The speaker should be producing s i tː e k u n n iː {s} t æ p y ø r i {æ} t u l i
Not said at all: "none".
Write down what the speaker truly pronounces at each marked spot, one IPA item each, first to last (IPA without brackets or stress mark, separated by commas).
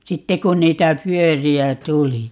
none, æ